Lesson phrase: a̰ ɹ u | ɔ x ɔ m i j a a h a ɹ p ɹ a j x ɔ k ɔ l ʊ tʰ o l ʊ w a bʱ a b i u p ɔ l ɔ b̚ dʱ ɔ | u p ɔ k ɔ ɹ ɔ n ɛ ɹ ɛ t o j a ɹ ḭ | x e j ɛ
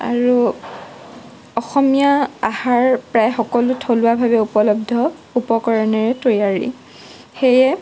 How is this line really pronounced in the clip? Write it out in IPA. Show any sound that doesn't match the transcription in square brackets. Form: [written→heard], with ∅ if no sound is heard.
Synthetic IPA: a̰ ɹ u | ɔ x ɔ m i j a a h a ɹ p ɹ a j x ɔ k ɔ l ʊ tʰ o l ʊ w a bʱ a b [i→ɛ] u p ɔ l ɔ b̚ dʱ ɔ | u p ɔ k ɔ ɹ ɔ n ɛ ɹ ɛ t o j a ɹ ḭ | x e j ɛ